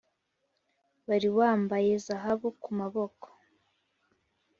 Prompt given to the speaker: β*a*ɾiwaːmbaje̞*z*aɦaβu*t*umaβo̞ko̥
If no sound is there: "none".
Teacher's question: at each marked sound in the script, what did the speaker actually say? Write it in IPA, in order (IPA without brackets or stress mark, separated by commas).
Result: a, z, k